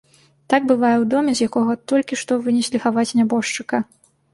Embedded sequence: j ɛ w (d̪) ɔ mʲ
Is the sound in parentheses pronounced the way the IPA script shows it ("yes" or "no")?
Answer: yes